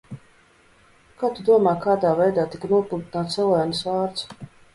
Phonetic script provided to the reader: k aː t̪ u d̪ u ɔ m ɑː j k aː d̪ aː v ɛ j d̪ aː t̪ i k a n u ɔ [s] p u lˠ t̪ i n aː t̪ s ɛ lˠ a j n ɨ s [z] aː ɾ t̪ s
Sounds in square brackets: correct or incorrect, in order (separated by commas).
incorrect, incorrect